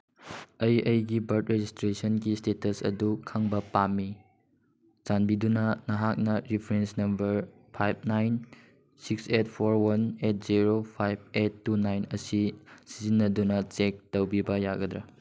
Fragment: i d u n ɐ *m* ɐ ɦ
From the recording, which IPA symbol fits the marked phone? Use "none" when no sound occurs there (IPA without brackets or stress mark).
n